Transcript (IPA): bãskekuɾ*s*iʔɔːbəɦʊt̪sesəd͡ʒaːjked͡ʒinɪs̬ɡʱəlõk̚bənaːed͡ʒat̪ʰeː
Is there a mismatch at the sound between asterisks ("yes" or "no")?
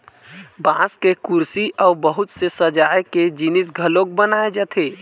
no